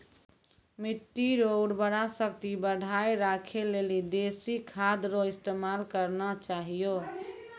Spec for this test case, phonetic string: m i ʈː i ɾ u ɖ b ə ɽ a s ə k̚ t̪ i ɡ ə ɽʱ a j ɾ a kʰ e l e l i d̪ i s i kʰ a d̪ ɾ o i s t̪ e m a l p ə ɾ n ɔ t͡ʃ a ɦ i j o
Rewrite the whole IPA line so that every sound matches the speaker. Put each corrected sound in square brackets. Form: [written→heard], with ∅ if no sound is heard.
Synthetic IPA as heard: m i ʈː i ɾ [u→o] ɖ b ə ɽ a s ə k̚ t̪ i [ɡ→b] ə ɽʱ a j ɾ a kʰ e l e l i d̪ [i→e] s i kʰ a d̪ ɾ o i s t̪ e m a l [p→k] ə ɾ n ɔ t͡ʃ a ɦ i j o